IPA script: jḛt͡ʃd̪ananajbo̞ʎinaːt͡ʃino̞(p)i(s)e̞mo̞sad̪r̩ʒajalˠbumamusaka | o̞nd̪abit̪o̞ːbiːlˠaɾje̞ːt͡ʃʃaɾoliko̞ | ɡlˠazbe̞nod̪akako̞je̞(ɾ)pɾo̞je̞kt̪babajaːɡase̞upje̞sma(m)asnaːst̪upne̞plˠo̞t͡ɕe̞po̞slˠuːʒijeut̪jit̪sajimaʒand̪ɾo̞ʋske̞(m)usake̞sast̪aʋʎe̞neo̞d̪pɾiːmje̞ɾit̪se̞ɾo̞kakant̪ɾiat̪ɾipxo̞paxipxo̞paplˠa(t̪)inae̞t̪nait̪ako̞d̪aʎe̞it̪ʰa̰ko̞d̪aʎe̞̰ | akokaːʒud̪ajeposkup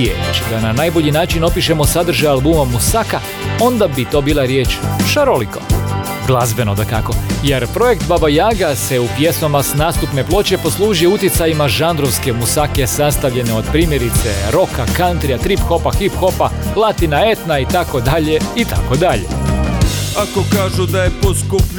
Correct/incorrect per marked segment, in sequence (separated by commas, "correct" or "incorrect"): correct, incorrect, correct, correct, correct, correct